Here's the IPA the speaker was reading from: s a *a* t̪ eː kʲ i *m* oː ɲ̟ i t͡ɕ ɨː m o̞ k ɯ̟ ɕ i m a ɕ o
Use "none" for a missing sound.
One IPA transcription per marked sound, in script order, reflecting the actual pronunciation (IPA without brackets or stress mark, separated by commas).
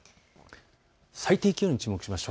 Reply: i, none